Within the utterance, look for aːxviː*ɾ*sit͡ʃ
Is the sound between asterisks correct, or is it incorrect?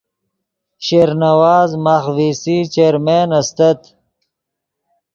incorrect: none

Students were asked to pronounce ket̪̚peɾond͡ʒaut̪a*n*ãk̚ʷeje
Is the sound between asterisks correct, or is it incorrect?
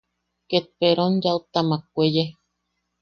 incorrect: m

